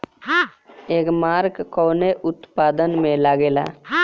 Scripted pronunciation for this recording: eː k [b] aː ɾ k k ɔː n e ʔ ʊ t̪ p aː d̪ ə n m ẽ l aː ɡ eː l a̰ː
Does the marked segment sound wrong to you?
yes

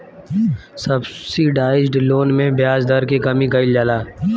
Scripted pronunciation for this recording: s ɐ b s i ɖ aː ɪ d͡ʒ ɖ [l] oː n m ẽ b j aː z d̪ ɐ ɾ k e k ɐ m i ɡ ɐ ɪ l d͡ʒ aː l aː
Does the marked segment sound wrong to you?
no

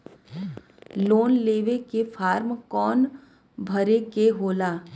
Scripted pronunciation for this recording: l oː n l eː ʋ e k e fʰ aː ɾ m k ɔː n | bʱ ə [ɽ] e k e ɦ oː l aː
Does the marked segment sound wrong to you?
yes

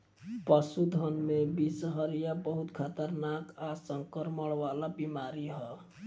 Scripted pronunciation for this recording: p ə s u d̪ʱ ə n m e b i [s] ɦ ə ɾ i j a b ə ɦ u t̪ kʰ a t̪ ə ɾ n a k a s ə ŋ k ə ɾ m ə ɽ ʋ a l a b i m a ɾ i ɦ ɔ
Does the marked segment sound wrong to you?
no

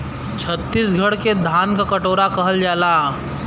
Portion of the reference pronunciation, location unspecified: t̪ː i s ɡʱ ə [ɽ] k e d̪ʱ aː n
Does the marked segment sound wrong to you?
no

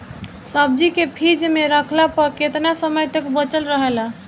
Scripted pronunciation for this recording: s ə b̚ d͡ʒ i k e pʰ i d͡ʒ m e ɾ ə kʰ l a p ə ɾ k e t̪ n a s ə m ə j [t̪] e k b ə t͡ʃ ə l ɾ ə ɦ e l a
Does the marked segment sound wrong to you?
no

